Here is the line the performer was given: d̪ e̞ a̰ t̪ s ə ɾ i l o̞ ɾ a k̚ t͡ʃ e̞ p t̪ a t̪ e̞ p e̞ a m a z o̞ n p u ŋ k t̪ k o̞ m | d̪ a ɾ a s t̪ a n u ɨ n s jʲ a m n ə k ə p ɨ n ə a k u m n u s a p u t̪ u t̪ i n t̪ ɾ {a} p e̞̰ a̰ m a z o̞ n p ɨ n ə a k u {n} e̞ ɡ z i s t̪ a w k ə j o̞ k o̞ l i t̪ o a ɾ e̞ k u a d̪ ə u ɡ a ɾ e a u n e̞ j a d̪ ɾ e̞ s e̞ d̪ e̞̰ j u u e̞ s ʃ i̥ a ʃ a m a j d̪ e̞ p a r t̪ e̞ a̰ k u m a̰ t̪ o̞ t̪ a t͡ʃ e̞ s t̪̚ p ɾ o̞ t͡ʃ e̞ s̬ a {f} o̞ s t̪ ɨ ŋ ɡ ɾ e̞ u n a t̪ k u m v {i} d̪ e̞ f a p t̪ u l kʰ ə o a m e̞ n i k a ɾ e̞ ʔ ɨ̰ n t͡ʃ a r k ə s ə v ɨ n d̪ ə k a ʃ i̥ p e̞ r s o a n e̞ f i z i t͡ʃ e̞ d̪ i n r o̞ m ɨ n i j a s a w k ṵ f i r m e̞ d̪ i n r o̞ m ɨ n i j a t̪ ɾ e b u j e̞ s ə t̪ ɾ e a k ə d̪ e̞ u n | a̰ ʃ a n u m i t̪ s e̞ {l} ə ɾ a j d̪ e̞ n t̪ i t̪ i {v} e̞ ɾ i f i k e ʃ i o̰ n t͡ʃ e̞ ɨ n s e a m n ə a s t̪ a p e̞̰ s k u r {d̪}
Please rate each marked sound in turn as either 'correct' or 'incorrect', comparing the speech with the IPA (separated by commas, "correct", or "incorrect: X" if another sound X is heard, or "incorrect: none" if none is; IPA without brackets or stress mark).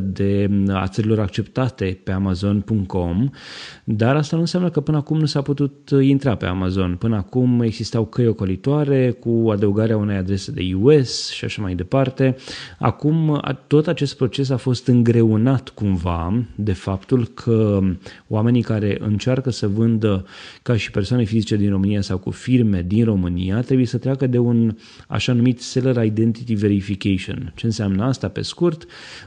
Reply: correct, incorrect: m, correct, incorrect: a, correct, correct, incorrect: t̪